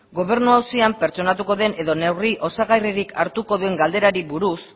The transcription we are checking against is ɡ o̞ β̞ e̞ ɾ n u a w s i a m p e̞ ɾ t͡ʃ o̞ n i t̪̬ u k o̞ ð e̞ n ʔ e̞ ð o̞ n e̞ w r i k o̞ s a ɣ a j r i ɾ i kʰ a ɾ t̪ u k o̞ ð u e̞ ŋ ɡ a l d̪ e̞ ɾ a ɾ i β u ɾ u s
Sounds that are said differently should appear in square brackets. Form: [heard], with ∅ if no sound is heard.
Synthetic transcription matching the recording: ɡ o̞ β̞ e̞ ɾ n u a w s i a m p e̞ ɾ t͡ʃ o̞ n [a] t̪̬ u k o̞ ð e̞ n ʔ e̞ ð o̞ n e̞ w r i [ʔ] o̞ s a ɣ a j r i ɾ i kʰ a ɾ t̪ u k o̞ ð u e̞ ŋ ɡ a l d̪ e̞ ɾ a ɾ i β u ɾ u s